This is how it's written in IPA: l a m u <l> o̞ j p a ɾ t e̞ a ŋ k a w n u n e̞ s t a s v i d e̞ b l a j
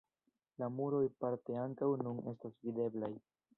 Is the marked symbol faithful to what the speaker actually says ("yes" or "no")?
no